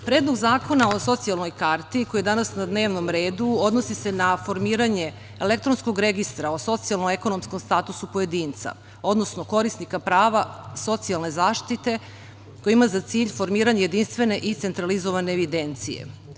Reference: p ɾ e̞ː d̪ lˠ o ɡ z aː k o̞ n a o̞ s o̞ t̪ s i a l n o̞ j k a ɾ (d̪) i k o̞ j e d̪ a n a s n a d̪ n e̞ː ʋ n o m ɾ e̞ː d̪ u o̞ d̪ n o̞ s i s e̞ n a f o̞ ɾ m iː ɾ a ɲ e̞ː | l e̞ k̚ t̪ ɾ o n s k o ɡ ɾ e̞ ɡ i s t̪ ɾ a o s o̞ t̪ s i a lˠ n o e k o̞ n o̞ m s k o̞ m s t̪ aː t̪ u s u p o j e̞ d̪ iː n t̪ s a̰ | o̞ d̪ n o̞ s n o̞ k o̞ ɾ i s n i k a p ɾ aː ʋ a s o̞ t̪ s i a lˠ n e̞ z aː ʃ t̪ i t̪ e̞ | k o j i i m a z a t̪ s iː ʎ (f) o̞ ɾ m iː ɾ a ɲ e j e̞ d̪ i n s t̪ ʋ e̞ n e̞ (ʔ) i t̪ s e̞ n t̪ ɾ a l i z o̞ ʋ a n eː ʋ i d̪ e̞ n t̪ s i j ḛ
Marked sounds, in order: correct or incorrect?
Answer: incorrect: t̪, correct, correct

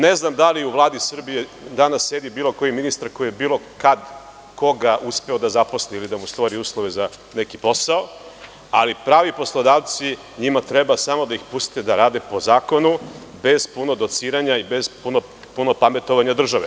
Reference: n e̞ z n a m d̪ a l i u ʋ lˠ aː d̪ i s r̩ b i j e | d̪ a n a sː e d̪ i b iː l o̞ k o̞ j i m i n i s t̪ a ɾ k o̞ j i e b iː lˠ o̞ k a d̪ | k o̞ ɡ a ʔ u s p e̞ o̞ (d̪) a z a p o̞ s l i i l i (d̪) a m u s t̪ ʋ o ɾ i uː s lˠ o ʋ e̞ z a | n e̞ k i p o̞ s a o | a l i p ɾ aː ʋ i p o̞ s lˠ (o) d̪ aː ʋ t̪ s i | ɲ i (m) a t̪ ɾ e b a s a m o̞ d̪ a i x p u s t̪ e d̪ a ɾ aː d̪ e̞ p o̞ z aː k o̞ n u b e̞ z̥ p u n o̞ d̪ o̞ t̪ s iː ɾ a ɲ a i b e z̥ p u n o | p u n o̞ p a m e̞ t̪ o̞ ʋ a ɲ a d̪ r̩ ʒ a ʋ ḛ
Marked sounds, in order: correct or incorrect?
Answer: correct, correct, correct, correct

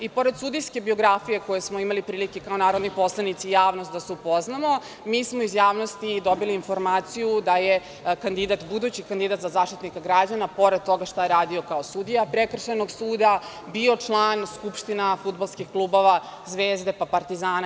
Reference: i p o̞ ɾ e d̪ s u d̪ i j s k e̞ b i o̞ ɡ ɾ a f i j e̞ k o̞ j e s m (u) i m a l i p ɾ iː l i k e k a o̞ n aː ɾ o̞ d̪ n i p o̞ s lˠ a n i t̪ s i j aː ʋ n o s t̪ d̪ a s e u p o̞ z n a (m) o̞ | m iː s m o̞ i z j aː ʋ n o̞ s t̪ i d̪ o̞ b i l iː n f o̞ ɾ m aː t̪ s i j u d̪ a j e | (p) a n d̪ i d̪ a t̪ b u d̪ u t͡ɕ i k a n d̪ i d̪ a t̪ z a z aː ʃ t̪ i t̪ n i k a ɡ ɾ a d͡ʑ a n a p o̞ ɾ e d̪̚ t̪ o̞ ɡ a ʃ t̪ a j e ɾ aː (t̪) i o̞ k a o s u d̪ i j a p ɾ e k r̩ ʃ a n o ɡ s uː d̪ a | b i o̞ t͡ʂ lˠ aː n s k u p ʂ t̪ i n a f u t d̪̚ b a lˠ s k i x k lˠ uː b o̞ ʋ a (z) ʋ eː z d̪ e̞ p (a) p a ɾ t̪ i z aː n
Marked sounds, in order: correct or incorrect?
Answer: incorrect: o, correct, incorrect: k, incorrect: d̪, correct, correct

